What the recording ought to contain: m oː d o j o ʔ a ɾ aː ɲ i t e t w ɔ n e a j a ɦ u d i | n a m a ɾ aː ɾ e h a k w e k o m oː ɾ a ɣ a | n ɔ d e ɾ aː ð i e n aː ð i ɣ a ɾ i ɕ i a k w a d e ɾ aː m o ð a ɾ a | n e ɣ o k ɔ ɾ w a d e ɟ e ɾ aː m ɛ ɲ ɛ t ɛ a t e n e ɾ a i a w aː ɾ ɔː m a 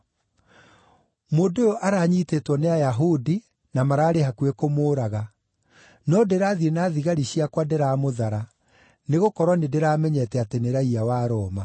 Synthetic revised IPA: m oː d o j o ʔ a ɾ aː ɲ i t e t w ɔ n e a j a ɦ u d i | n a m a ɾ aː ɾ e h a k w e k o m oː ɾ a ɣ a | n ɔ d e ɾ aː ð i e n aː ð i ɣ a ɾ i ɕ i a k w a d e ɾ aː m o ð a ɾ a | n e ɣ o k ɔ ɾ w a n e d e ɾ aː m ɛ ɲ ɛ t ɛ a t e n e ɾ a i a w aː ɾ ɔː m a